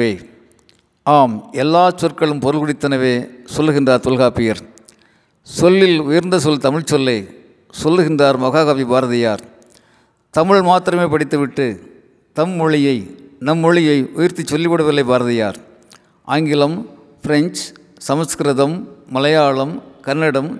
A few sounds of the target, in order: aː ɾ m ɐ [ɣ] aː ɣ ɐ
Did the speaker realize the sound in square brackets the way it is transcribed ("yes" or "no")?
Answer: yes